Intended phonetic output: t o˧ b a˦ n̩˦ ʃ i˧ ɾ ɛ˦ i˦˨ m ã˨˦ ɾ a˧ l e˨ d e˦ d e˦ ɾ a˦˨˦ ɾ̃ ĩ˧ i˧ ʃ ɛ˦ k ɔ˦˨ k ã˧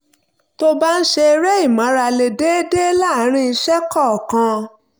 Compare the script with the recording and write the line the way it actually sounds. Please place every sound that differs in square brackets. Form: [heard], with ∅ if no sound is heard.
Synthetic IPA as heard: t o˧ b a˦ n̩˦ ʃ [e˧] ɾ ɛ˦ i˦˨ m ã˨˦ ɾ a˧ l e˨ d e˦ d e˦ [l] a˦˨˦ ɾ̃ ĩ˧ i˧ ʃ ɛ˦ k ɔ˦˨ k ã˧